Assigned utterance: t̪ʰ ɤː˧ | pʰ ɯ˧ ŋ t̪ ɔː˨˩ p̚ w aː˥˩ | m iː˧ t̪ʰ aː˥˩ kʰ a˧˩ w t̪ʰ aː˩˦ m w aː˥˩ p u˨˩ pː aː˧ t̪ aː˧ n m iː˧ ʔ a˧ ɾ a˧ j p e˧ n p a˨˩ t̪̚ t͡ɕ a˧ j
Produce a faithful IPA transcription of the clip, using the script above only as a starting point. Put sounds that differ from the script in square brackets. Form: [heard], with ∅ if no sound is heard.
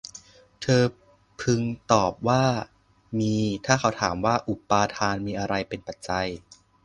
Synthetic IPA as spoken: t̪ʰ ɤː˧ | pʰ ɯ˧ ŋ t̪ ɔː˨˩ p̚ w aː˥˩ | m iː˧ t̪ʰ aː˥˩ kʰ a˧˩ w t̪ʰ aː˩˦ m w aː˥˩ [ʔ] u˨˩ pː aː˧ [t̪ʰ] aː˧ n m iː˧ ʔ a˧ ɾ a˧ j p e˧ n p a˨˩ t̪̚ t͡ɕ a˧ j